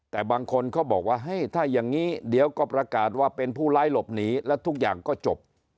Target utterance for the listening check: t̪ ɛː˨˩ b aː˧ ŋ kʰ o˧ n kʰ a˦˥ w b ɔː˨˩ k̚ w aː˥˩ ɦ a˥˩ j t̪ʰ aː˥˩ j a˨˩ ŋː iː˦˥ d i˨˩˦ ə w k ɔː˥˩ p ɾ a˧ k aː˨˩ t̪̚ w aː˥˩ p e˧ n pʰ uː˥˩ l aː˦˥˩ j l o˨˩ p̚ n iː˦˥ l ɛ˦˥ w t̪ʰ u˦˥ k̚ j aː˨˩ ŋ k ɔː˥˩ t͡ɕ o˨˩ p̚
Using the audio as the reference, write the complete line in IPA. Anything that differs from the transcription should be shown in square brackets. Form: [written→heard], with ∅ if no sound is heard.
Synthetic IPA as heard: t̪ ɛː˨˩ b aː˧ ŋ kʰ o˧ n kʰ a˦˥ w b ɔː˨˩ k̚ w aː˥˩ ɦ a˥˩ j t̪ʰ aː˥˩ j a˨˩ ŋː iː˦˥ d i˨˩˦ ə w k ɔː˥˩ p ɾ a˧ k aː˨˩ t̪̚ w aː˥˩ p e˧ n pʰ uː˥˩ l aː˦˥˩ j l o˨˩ p̚ n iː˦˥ l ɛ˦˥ w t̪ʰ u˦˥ k̚ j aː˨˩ ŋ k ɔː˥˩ t͡ɕ o˨˩ p̚